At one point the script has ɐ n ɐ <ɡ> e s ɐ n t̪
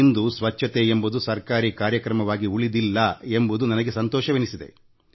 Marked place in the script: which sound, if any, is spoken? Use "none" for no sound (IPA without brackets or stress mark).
ɡ